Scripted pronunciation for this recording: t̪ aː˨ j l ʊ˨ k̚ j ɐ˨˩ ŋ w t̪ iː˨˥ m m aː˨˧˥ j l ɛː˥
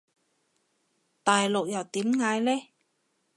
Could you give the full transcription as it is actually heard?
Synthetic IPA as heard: t̪ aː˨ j l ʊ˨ k̚ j ɐ˨˩ w t̪ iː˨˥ m ŋ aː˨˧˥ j l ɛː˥